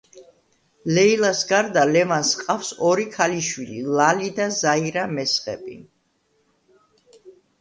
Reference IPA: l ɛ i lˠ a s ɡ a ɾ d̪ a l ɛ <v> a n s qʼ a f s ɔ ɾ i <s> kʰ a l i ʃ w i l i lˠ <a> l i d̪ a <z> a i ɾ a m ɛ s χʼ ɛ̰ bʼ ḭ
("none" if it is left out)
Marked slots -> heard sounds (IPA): v, none, a, z

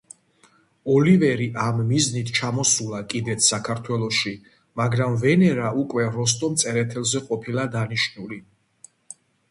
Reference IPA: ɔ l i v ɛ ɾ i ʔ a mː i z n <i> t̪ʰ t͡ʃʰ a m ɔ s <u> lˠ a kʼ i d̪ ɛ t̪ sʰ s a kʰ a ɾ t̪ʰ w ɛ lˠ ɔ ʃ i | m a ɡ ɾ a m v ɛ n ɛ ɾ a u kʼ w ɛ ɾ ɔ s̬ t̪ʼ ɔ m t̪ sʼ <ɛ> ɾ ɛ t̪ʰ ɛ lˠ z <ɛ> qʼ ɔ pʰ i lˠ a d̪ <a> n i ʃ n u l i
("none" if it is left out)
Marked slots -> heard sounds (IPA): i, u, ɛ, ɛ, a

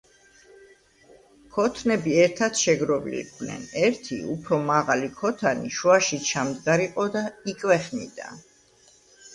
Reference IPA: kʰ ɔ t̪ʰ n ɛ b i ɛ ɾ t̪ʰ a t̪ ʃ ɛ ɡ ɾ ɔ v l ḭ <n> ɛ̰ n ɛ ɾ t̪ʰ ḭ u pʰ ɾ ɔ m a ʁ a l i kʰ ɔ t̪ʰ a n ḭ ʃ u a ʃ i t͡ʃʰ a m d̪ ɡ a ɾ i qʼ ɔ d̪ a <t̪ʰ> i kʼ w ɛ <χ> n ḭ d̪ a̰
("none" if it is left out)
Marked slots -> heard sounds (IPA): n, none, χ

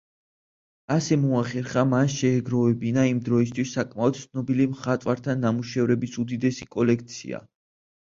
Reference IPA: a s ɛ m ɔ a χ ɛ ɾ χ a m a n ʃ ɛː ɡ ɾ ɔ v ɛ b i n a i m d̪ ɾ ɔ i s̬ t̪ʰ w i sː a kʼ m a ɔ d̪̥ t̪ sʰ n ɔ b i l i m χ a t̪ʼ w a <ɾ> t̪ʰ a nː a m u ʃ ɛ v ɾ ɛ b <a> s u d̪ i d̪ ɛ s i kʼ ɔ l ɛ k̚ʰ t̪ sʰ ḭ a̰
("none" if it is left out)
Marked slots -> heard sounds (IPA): ɾ, i

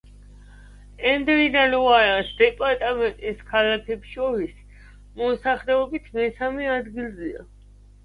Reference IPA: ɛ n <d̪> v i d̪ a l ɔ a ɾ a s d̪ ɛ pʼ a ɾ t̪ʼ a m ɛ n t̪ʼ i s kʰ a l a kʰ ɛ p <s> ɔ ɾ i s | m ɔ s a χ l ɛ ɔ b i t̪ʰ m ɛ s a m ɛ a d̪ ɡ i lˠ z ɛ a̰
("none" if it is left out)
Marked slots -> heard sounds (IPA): d̪, ʃ

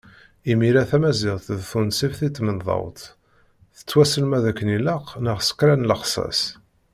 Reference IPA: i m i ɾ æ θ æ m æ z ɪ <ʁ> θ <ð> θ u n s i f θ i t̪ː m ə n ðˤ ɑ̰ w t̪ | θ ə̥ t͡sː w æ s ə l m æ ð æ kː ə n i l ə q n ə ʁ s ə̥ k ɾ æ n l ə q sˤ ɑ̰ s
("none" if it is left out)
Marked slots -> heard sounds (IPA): ʁ, ð

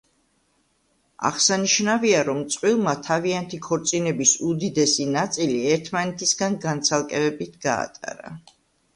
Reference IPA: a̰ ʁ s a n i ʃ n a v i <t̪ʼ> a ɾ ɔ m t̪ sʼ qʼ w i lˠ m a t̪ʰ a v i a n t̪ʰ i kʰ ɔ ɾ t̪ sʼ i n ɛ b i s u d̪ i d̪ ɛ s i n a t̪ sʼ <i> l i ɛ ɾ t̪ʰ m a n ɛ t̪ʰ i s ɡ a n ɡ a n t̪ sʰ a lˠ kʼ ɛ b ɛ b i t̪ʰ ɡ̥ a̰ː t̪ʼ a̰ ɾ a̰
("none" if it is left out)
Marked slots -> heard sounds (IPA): none, i

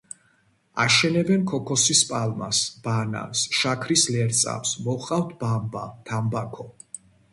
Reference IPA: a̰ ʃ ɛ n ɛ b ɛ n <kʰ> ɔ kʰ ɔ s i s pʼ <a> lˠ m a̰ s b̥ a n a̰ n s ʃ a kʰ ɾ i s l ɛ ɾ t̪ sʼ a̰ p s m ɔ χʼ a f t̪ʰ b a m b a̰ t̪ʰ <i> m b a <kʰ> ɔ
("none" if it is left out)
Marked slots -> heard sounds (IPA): kʰ, a, a, kʰ

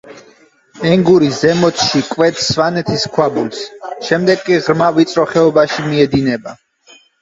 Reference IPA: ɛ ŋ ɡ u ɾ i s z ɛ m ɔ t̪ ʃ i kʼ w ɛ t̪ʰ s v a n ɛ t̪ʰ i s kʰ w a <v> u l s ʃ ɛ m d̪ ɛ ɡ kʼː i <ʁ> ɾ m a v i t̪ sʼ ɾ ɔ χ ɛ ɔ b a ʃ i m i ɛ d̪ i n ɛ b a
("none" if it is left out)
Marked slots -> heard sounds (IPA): b, ʁ

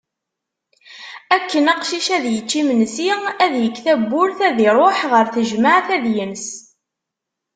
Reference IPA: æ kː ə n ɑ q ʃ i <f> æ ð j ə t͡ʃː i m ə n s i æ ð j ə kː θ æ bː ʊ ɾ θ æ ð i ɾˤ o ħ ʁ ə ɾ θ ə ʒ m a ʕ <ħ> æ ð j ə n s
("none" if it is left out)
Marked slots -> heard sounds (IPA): ʃ, θ

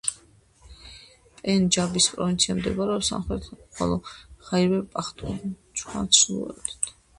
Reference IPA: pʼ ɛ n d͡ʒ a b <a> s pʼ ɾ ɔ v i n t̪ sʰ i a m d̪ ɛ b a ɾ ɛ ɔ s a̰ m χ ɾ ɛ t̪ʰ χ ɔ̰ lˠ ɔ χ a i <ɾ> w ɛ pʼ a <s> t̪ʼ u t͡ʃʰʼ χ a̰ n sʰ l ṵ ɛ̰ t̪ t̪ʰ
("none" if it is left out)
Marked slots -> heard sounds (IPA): i, ɾ, χ

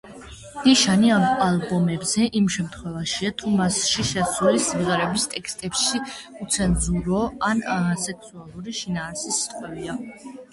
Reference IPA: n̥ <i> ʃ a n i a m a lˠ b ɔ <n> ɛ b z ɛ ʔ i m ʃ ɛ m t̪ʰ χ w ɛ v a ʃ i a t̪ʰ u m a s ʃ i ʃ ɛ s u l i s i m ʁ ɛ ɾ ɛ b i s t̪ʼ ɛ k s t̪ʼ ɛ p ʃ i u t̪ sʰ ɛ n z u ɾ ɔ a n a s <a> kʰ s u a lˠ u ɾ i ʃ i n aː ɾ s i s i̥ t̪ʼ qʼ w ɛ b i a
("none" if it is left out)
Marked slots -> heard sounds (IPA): i, m, ɛ

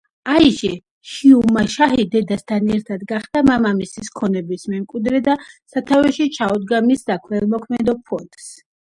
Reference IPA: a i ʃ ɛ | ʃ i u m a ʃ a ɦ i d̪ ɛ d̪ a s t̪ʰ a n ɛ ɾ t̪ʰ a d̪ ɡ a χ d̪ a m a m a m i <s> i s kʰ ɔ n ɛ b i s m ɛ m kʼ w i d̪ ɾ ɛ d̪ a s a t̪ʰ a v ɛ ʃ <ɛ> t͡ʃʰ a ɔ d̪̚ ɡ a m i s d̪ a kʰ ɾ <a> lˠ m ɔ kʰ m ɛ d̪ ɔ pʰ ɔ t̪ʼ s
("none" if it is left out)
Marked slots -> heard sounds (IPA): s, i, ɛ

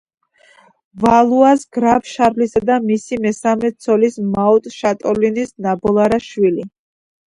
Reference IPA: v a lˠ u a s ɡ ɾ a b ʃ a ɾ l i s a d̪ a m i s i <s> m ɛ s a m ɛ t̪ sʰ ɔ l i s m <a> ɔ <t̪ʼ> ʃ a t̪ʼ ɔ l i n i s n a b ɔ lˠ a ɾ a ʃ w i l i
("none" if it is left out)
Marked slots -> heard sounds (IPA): none, a, t̪ʼ

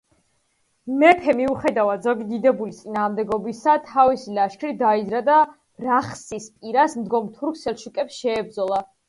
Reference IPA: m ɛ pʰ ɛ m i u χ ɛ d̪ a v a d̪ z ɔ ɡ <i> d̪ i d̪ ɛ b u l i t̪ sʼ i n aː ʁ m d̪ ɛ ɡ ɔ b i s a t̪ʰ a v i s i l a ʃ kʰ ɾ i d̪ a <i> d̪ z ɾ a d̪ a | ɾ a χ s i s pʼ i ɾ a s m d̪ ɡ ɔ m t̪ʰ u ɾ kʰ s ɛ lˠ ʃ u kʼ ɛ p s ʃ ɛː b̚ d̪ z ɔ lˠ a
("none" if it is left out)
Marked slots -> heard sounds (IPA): i, i

